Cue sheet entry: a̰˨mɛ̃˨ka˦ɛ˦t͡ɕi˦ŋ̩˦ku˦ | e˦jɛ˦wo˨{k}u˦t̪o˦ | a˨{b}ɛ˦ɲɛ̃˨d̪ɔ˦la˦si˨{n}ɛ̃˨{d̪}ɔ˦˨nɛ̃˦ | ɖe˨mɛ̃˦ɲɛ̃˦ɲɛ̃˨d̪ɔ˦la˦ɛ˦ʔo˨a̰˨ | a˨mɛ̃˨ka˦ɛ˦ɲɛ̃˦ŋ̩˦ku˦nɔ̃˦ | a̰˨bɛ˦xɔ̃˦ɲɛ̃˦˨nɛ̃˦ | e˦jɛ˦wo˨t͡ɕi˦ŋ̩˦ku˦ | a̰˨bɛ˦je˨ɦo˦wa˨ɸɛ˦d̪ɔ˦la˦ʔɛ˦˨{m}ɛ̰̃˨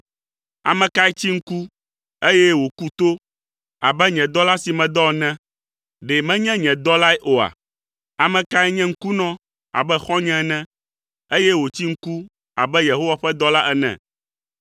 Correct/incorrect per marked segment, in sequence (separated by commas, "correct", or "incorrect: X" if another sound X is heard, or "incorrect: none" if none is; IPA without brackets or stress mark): correct, correct, incorrect: m, correct, incorrect: n